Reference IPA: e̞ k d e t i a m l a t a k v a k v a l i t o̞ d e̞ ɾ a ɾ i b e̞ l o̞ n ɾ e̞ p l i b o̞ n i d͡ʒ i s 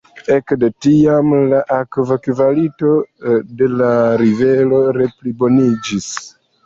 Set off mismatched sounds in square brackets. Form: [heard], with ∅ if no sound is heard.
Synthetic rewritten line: e̞ k d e t i a m l a [ʔ] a k v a k v a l i t o̞ d e̞ [l] a ɾ i [v] e̞ l o̞ [∅] ɾ e̞ p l i b o̞ n i d͡ʒ i s